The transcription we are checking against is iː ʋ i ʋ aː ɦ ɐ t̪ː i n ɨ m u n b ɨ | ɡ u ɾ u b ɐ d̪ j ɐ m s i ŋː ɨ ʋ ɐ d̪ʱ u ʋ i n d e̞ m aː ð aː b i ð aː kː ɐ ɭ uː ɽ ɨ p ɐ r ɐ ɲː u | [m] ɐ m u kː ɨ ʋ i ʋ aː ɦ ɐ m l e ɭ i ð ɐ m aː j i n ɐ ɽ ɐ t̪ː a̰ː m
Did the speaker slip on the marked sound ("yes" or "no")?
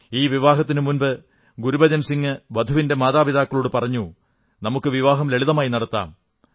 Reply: yes